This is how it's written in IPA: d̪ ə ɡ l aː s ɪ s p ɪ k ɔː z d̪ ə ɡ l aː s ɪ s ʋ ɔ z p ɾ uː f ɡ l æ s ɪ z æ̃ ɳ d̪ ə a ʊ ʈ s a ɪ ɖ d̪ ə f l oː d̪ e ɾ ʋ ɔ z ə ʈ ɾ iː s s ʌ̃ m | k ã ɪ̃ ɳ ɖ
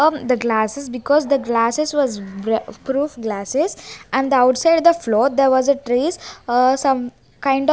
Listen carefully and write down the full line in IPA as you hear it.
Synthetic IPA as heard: d̪ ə ɡ l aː s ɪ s b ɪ k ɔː z d̪ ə ɡ l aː s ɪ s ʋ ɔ z p ɾ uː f ɡ l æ s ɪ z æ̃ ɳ d̪ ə a ʊ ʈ s a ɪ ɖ d̪ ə f l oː d̪ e ɾ ʋ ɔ z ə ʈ ɾ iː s s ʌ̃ m | k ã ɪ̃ ɳ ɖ